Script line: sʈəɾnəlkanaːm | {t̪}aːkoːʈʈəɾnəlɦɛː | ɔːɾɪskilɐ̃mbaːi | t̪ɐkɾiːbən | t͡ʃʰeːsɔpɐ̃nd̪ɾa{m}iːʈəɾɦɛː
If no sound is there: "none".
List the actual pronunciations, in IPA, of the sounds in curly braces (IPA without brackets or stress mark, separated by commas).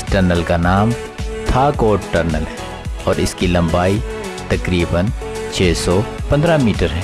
t̪ʰ, m